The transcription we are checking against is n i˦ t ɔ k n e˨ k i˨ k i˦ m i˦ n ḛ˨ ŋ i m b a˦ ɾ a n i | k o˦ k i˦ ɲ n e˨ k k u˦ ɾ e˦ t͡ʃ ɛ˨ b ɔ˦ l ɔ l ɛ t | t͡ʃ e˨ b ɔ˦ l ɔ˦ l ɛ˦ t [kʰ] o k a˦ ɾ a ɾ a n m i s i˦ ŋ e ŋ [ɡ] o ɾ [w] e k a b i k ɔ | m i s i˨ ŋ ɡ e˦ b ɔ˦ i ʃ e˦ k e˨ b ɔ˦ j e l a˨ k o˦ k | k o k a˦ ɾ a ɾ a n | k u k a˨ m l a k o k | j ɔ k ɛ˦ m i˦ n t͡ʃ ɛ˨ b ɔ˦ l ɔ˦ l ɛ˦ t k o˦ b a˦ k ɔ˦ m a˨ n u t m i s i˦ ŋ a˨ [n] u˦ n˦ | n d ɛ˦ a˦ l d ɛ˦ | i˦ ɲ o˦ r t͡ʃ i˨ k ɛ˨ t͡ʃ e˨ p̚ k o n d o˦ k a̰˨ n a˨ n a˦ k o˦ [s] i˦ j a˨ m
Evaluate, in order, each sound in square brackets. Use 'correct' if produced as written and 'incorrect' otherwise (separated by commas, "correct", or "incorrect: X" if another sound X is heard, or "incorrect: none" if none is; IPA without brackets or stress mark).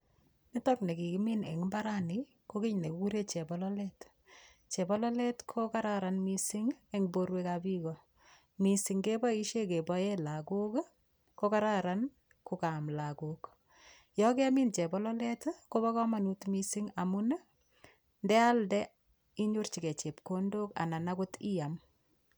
correct, incorrect: b, correct, incorrect: m, incorrect: t